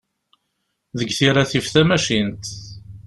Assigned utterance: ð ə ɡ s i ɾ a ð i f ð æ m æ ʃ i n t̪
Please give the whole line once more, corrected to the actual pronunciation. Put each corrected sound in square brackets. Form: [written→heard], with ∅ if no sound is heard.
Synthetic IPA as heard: ð ə ɡ [s→θ] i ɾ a [ð→θ] i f [ð→θ] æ m æ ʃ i n t̪